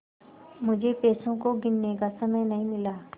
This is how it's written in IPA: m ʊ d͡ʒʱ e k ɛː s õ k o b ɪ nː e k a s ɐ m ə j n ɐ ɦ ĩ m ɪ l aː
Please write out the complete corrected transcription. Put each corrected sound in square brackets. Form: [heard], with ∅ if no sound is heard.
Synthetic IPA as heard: m ʊ d͡ʒʱ e [p] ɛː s õ k o [ɡ] ɪ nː e k a s ɐ m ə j n ɐ ɦ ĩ m ɪ l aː